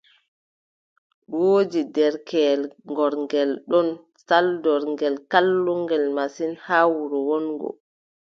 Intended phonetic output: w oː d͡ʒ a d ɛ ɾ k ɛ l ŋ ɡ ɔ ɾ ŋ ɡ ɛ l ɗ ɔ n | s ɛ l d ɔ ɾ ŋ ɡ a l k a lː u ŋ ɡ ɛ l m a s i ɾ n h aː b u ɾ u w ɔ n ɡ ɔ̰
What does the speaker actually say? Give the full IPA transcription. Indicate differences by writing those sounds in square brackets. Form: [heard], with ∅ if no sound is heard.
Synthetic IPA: w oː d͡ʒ [i] d ɛ ɾ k ɛ l ŋ ɡ ɔ ɾ ŋ ɡ ɛ l ɗ ɔ n | s [a] l d ɔ ɾ ŋ ɡ [ɛ] l k a lː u ŋ ɡ ɛ l m a s i [∅] n h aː [w] u ɾ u w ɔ n ɡ ɔ̰